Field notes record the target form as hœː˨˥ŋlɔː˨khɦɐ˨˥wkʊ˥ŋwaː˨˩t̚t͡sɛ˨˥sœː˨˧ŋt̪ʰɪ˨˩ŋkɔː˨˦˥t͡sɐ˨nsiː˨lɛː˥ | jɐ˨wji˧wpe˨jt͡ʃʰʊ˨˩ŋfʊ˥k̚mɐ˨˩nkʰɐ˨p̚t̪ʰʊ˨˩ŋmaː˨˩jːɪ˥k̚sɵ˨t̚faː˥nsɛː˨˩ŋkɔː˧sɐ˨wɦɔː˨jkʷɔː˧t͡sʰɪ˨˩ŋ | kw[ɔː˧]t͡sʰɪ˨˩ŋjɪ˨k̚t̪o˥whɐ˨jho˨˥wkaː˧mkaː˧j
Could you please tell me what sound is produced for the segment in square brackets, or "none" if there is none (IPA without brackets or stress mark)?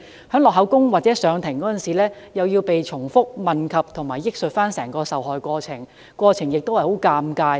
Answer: ɔː˧